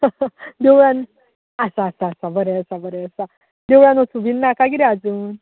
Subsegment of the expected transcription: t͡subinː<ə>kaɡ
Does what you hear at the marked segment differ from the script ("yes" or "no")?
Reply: yes